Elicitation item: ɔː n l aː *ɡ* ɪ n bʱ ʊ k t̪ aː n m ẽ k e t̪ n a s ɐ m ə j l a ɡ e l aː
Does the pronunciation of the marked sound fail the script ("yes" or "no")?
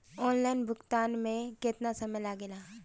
yes